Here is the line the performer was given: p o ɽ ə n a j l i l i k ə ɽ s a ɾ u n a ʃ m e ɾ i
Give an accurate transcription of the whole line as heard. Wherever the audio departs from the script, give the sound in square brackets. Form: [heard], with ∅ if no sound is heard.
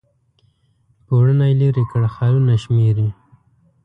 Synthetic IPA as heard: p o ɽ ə n a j l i [ɾ] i k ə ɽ [x] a ɾ u n a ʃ m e ɾ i